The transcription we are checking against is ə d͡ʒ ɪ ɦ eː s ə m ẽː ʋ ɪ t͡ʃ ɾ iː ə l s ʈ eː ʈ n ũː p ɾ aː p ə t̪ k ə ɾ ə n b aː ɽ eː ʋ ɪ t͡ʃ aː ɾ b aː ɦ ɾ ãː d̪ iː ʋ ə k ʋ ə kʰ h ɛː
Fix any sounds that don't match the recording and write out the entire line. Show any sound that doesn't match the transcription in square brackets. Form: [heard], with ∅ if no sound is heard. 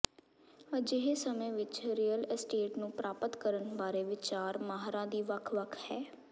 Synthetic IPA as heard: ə d͡ʒ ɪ ɦ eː s ə m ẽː ʋ ɪ t͡ʃ ɾ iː ə l s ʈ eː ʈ n ũː p ɾ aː p ə t̪ k ə ɾ ə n b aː [ɾ] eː ʋ ɪ t͡ʃ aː ɾ [m] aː ɦ ɾ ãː d̪ iː ʋ ə [kʰ] ʋ ə kʰ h ɛː